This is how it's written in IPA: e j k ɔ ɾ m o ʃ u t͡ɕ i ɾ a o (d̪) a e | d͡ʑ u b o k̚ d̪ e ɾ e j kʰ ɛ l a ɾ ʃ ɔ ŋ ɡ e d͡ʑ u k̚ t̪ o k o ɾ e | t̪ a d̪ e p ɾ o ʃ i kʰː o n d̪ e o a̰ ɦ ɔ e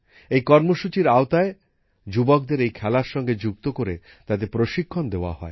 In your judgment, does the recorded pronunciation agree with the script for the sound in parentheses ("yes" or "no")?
no